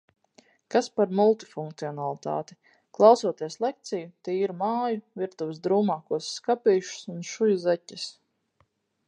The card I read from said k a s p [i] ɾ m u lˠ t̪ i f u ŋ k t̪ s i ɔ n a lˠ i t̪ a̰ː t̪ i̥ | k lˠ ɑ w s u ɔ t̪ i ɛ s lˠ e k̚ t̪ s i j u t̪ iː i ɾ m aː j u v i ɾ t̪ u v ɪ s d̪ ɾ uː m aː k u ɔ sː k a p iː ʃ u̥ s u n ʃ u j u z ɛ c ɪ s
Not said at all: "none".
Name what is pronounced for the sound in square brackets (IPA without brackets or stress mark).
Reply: a